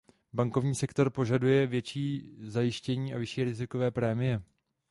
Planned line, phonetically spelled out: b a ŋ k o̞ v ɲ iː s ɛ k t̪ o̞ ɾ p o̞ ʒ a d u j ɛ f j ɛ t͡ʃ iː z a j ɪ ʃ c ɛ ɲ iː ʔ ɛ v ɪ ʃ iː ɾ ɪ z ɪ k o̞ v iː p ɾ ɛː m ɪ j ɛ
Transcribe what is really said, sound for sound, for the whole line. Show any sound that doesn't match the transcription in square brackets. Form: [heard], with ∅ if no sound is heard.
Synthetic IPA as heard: b a ŋ k o̞ v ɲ iː s ɛ k t̪ o̞ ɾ p o̞ ʒ a d u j ɛ [v] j ɛ t͡ʃ iː z a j ɪ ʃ c ɛ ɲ iː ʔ [a] v ɪ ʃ iː ɾ ɪ z ɪ k o̞ v [ɛː] p ɾ ɛː m ɪ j ɛ